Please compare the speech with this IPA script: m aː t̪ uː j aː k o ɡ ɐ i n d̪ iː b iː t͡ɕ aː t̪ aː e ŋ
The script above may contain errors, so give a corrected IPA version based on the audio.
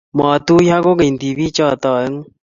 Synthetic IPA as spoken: m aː t̪ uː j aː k o ɡ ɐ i n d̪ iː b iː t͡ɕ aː t̪ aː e ŋ